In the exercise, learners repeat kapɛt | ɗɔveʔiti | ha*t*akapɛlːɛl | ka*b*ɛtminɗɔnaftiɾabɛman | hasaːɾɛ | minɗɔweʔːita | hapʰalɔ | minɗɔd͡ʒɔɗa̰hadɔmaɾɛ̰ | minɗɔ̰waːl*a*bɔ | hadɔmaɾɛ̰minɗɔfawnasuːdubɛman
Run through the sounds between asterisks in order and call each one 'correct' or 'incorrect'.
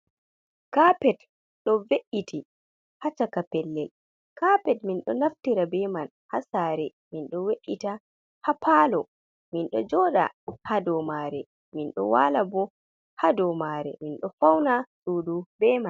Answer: incorrect: t͡ʃ, incorrect: p, correct

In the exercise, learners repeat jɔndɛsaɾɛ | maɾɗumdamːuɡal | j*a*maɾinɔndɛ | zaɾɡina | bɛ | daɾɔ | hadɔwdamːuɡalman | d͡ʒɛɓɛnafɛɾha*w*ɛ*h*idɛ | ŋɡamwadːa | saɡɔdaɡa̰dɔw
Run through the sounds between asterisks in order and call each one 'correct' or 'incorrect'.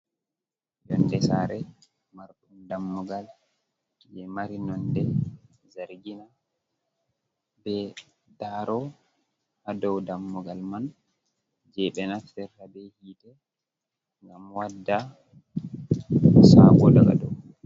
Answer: incorrect: ɛ, incorrect: b, correct

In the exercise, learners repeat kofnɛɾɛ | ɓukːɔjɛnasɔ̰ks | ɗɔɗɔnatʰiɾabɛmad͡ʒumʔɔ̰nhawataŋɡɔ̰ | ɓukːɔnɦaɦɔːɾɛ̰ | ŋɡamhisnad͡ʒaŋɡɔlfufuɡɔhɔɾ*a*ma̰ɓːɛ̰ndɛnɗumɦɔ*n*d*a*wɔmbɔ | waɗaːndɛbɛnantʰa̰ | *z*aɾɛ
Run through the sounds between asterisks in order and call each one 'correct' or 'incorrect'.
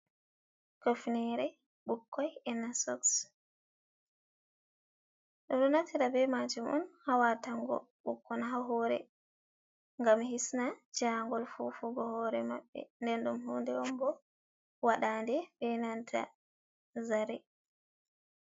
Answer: incorrect: ɛ, correct, incorrect: ɛ, correct

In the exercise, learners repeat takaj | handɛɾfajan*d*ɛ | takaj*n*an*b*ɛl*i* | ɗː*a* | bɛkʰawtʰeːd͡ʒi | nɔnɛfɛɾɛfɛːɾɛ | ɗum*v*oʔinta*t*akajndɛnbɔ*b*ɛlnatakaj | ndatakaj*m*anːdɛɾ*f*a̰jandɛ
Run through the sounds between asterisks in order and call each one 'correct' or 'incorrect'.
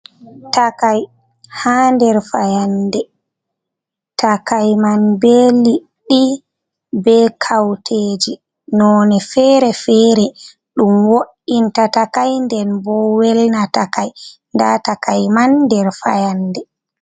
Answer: correct, incorrect: m, correct, correct, incorrect: i, incorrect: w, correct, incorrect: w, correct, correct

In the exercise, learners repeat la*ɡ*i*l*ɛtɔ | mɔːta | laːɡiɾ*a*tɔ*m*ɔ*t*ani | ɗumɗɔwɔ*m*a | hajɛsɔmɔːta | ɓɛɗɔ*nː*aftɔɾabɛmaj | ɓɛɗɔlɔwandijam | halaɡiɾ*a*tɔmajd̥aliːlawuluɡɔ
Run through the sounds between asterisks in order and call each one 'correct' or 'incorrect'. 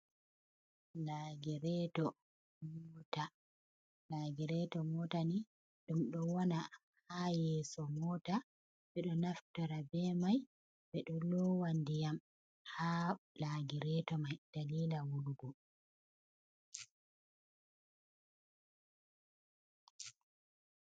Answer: correct, incorrect: ɾ, incorrect: ɛ, correct, correct, incorrect: n, incorrect: n, incorrect: ɛ

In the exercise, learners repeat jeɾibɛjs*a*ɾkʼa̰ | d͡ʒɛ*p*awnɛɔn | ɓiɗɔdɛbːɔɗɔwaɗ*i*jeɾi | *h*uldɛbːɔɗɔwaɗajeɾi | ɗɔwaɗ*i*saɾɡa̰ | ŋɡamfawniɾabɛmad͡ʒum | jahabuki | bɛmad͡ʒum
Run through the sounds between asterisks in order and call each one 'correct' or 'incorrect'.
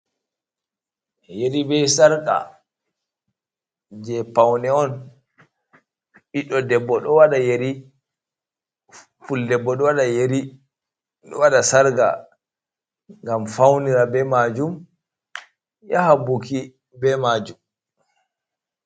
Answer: correct, correct, incorrect: a, incorrect: f, incorrect: a

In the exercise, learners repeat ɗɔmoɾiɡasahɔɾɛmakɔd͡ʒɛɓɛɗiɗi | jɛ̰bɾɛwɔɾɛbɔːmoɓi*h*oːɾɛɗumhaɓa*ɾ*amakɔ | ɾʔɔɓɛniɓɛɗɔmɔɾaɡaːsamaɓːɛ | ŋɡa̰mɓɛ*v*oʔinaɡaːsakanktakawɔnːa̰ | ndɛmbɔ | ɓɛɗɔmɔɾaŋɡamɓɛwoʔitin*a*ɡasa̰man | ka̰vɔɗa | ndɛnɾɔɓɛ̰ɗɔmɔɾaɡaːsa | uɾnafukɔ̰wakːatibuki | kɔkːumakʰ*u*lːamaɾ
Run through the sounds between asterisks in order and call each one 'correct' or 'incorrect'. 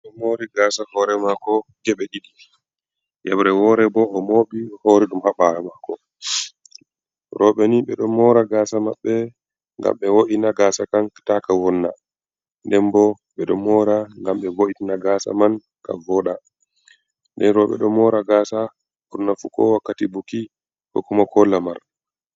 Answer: correct, correct, incorrect: w, correct, incorrect: ɔ

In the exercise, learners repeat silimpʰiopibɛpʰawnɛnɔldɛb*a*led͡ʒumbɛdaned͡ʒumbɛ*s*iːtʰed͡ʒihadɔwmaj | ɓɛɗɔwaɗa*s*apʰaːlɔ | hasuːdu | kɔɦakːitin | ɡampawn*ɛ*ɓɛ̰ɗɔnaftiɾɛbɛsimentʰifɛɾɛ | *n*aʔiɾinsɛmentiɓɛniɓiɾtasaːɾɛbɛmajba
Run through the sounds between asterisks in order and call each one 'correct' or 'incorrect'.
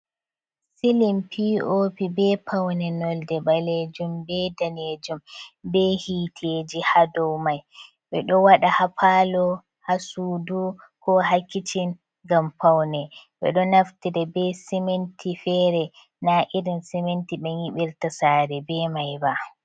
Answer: correct, incorrect: h, incorrect: h, correct, correct

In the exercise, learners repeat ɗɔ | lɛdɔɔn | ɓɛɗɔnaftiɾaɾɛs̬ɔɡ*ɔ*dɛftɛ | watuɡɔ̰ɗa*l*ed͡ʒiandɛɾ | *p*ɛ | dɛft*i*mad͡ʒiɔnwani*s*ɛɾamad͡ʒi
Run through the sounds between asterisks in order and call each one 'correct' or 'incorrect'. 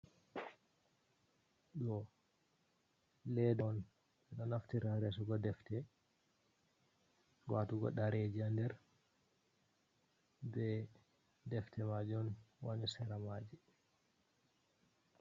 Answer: correct, incorrect: ɾ, incorrect: b, incorrect: ɛ, correct

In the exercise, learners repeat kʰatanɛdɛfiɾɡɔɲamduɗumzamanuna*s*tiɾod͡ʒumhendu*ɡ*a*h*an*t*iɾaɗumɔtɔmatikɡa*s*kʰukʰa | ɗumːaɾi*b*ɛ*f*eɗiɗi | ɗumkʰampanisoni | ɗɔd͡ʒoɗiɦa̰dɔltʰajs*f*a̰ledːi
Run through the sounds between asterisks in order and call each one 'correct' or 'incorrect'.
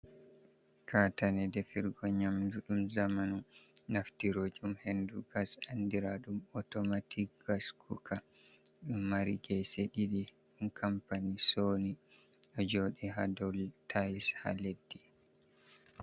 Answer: incorrect: f, correct, incorrect: s, incorrect: d, correct, incorrect: ɡ, incorrect: s, incorrect: h

